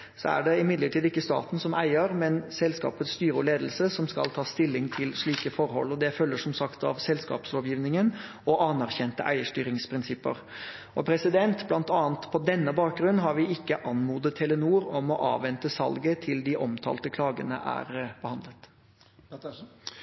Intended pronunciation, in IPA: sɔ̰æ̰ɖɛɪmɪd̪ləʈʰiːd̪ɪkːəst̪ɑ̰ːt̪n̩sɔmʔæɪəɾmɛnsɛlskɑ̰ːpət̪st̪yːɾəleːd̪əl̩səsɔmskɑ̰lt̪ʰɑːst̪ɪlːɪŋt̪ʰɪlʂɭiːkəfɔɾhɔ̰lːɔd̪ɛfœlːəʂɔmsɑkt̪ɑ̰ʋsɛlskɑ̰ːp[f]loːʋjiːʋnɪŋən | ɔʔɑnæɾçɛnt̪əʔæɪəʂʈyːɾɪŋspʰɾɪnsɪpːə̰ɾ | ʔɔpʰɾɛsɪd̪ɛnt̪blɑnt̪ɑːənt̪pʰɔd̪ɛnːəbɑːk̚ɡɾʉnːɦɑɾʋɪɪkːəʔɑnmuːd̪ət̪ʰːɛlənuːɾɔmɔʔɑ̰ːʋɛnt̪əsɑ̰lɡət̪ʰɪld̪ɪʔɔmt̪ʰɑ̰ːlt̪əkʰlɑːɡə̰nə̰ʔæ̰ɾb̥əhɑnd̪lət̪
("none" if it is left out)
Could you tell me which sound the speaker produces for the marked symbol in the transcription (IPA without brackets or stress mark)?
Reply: s